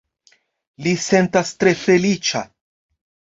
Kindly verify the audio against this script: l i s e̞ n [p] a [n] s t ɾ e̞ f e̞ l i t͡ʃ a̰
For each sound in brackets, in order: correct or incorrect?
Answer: incorrect: t, incorrect: none

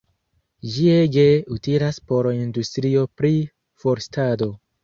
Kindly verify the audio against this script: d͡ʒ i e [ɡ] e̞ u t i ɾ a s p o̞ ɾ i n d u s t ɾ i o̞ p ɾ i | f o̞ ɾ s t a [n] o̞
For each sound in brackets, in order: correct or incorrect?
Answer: correct, incorrect: d

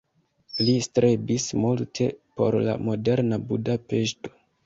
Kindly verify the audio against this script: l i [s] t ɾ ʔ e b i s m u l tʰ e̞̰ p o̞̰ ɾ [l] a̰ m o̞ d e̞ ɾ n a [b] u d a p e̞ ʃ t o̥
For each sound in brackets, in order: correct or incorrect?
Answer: correct, correct, correct

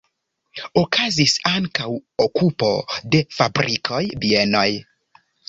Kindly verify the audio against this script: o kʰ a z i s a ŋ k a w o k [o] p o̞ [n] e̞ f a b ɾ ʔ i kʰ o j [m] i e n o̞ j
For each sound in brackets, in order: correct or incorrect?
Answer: incorrect: u, incorrect: d, incorrect: b

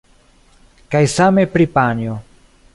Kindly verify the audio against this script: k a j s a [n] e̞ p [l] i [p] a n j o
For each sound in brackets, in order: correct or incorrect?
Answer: incorrect: m, incorrect: ɾ, correct

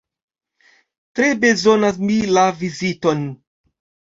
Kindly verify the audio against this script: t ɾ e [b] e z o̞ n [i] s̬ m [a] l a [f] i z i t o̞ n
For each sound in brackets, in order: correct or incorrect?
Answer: correct, incorrect: a, incorrect: i, incorrect: v

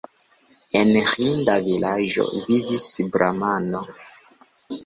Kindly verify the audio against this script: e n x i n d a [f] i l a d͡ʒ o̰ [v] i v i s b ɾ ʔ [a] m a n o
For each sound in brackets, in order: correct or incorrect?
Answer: incorrect: v, correct, correct

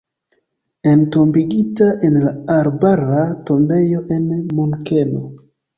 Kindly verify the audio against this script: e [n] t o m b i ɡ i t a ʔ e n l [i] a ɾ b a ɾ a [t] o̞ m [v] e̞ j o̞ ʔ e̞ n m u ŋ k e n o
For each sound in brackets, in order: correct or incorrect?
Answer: correct, incorrect: a, correct, incorrect: b

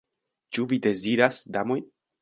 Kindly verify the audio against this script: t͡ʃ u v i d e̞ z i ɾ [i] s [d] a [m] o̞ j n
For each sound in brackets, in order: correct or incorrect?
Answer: incorrect: a, correct, correct

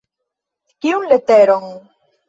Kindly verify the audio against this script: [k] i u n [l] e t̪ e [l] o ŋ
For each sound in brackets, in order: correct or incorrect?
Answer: correct, correct, incorrect: ɾ

